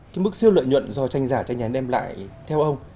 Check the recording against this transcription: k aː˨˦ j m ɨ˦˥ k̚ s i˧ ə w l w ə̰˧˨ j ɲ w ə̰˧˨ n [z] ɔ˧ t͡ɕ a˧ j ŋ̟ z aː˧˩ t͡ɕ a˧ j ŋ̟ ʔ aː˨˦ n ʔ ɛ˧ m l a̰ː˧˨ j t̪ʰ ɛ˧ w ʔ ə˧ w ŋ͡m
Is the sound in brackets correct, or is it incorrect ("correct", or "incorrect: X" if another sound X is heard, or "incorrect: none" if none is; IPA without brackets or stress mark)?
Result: correct